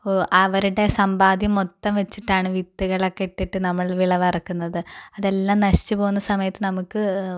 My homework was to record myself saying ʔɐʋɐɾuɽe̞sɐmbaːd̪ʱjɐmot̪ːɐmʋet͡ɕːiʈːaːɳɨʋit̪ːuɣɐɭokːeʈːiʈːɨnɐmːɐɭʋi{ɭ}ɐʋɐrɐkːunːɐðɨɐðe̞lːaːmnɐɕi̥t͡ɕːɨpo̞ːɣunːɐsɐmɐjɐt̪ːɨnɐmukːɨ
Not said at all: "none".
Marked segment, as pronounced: ɭ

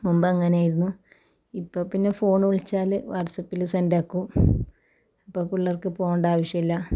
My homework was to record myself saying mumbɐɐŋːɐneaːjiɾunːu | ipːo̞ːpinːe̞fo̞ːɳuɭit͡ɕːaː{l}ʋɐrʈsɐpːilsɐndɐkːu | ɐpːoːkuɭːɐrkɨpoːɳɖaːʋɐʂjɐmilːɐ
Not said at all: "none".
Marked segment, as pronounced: l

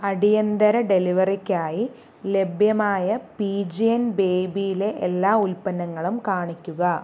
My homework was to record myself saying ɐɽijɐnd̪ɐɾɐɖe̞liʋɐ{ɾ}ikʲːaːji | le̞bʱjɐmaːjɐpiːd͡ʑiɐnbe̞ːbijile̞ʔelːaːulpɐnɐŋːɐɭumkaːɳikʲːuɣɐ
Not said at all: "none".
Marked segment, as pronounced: r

